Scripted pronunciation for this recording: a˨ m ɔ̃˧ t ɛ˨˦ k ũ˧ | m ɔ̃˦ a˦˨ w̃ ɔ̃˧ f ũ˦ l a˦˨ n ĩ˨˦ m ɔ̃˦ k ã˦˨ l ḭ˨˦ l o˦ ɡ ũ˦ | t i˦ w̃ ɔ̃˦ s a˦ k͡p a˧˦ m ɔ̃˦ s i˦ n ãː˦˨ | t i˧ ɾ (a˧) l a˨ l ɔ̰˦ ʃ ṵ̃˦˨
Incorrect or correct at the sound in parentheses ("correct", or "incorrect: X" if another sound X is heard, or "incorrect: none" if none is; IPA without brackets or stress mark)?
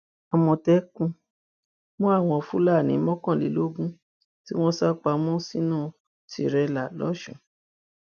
incorrect: ɛ˧